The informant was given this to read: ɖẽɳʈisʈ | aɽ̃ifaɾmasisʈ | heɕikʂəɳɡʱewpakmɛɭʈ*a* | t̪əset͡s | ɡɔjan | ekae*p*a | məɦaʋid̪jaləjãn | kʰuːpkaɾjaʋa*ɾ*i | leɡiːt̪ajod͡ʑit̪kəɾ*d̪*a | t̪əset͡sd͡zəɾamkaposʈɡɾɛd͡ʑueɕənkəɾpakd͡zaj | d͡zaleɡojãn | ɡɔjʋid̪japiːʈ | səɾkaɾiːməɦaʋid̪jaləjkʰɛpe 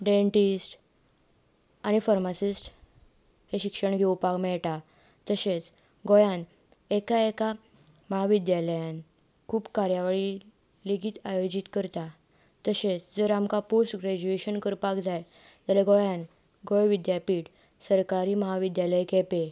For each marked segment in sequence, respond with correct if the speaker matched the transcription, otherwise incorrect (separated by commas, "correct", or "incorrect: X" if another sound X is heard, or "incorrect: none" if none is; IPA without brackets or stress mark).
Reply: correct, incorrect: k, incorrect: ɭ, incorrect: t̪